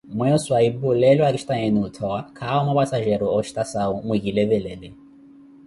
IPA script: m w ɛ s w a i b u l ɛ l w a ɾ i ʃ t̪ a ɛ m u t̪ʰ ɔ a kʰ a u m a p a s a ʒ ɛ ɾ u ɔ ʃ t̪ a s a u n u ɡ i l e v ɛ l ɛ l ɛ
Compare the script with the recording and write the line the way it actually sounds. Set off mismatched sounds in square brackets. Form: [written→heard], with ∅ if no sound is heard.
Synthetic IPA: m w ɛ s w a i b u l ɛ l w a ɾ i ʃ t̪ a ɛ [m→n] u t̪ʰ ɔ a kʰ a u m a p a s a ʒ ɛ ɾ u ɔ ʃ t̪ a s a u [n→m] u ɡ i l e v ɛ l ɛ l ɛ

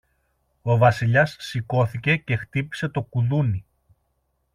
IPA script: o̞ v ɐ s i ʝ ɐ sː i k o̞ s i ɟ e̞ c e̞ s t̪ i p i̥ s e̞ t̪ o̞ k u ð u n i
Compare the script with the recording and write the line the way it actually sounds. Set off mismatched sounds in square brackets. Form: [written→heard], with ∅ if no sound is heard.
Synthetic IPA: o̞ v ɐ s i [ʝ→ʎ] ɐ sː i k o̞ [s→θ] i [ɟ→c] e̞ c e̞ [s→x] t̪ i p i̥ s e̞ t̪ o̞ k u ð u n i

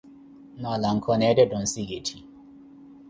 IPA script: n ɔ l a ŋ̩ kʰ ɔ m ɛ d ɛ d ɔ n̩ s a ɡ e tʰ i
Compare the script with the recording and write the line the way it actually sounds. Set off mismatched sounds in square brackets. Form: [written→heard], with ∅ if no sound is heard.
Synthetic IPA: n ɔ l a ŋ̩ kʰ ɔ [m→n] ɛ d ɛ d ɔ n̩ s [a→i] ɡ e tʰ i

